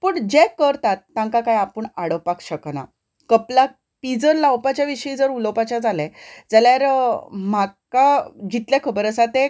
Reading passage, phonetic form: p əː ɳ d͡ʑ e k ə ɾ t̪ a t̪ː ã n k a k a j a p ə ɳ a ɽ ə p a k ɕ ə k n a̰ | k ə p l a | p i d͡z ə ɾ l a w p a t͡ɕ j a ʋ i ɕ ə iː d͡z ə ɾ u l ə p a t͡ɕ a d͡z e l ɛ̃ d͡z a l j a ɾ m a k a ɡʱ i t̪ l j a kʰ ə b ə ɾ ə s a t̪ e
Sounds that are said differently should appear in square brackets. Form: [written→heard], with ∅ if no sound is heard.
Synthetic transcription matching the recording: p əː ɳ d͡ʑ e k ə ɾ t̪ a t̪ː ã [n→ŋ] k a k a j a p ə ɳ a ɽ ə p a k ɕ ə k n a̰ | k ə p l a | p i d͡z ə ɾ l a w p a t͡ɕ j a ʋ i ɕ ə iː d͡z ə ɾ u l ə p a t͡ɕ a d͡z [e→a] l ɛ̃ d͡z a l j a ɾ m a k a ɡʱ i t̪ l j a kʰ ə b ə ɾ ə s a t̪ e